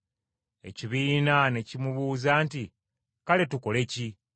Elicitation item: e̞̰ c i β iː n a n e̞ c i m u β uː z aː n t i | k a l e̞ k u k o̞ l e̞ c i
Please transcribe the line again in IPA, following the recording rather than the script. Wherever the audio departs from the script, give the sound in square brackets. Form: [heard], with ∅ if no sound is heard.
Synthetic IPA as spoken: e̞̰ c i β iː n a n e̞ c i m u β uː z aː n t i | k a l e̞ [t] u k o̞ l e̞ c i